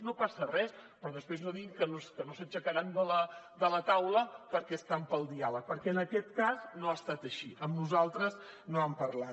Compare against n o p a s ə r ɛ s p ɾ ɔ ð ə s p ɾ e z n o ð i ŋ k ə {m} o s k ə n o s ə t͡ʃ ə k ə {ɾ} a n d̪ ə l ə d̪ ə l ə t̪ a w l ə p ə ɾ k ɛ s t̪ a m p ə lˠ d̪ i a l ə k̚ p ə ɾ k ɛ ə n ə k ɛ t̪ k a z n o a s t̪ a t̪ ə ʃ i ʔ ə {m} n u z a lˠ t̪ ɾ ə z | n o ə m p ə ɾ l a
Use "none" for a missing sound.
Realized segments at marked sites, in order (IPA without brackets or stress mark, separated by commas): n, ɾ, m